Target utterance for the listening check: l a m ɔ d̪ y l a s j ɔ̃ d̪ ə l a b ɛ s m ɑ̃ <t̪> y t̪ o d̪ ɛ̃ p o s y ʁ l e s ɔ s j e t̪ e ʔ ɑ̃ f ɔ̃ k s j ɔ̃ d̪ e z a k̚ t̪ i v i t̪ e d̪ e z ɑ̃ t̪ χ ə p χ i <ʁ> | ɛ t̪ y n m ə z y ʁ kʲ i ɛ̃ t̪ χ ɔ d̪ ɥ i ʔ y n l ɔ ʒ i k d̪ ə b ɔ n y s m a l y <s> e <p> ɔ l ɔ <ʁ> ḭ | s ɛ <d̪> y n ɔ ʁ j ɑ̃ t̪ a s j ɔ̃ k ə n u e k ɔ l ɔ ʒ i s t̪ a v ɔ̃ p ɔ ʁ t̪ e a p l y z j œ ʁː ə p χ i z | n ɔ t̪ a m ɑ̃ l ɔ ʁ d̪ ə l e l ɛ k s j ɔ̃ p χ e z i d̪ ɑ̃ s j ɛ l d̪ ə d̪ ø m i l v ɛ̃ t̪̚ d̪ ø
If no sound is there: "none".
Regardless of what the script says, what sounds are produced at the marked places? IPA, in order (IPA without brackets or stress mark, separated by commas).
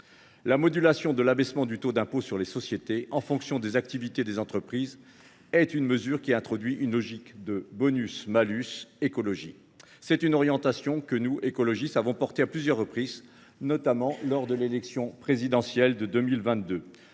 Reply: d̪, z, s, k, ʒ, t̪